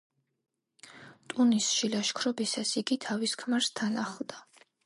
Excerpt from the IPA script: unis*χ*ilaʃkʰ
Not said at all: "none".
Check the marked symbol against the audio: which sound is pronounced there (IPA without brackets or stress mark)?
ʃ